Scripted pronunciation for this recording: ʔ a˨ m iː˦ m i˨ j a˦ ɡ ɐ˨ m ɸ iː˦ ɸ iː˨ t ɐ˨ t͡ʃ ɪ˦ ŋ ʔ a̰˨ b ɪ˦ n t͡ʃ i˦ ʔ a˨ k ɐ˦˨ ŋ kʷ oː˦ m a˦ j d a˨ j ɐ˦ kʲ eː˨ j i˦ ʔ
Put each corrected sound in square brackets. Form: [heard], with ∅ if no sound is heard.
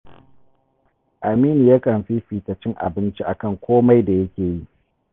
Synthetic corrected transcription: ʔ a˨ m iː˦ [n] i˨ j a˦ [k] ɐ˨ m ɸ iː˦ ɸ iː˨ t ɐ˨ t͡ʃ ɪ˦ ŋ ʔ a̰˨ b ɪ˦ n t͡ʃ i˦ ʔ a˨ k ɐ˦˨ ŋ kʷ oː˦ m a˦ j d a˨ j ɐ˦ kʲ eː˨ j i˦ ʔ